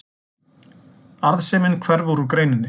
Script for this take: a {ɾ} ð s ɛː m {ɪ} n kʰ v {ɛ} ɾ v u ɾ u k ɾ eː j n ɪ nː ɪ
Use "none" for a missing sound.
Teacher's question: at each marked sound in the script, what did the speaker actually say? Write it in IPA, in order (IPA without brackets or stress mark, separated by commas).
ɾ, ɪ, ɛ